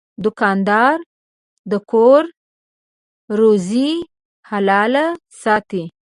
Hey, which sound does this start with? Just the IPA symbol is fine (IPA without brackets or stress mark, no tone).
d̪